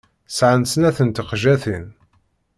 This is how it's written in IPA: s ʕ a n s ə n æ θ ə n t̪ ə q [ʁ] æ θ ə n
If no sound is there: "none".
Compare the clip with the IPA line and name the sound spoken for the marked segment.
ʒ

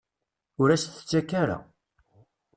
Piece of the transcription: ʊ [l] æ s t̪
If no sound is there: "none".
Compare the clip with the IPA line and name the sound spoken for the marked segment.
ɾ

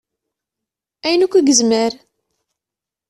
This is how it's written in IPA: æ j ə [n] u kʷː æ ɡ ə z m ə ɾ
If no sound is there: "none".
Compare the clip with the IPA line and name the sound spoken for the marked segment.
n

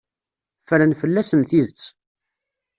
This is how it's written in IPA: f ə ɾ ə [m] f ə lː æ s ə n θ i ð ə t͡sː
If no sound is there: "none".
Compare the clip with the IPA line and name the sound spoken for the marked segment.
n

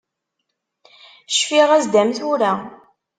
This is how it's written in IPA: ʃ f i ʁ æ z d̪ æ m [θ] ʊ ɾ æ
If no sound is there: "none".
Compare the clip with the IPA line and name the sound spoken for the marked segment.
θ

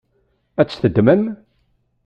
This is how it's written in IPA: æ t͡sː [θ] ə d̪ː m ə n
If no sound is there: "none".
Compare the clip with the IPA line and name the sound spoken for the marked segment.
θ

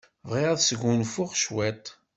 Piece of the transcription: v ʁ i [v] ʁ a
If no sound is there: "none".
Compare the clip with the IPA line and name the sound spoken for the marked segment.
none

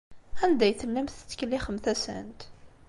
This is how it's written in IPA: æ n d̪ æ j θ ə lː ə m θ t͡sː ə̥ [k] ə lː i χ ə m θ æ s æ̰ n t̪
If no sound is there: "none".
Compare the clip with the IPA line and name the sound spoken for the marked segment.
k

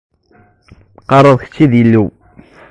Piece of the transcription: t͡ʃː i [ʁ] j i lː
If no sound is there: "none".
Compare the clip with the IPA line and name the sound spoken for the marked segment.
ð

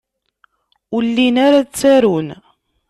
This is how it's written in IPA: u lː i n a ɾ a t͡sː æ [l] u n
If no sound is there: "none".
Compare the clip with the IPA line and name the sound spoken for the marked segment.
ɾ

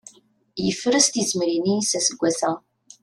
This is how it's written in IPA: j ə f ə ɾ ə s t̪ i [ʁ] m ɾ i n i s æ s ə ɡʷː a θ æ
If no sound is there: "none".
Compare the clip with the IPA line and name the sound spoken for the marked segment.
z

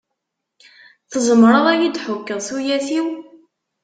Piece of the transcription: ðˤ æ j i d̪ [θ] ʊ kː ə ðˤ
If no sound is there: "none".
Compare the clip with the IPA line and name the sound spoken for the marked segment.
ħ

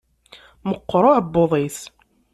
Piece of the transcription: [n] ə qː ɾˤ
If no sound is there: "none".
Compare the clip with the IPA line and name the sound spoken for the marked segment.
m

